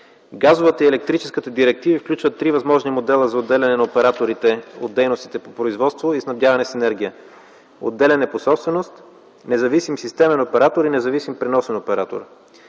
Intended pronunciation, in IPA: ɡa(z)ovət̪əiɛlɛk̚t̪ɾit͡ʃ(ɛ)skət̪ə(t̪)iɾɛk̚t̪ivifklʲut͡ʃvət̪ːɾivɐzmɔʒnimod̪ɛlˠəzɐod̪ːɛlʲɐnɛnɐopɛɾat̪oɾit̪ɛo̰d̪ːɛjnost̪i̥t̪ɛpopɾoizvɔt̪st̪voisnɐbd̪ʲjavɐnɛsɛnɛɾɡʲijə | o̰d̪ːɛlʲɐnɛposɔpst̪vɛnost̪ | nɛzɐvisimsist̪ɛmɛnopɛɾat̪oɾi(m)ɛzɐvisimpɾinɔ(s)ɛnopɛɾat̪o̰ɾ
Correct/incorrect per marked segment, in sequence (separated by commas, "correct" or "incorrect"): correct, correct, incorrect, incorrect, correct